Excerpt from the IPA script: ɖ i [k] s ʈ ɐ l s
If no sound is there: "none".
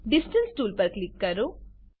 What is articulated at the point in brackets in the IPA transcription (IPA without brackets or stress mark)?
none